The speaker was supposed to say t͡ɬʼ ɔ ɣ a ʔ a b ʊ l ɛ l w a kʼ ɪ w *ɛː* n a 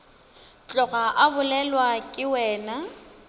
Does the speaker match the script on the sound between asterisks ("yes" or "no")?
yes